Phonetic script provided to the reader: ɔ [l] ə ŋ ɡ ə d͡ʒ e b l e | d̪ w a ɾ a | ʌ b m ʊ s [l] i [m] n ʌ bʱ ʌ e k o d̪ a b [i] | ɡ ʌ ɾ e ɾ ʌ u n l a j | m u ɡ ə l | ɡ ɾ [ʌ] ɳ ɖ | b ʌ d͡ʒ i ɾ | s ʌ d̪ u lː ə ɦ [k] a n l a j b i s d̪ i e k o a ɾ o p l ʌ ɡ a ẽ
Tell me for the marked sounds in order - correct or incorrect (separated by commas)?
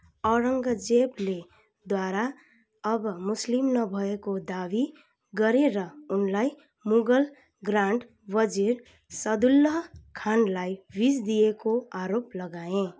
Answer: incorrect, correct, correct, correct, incorrect, incorrect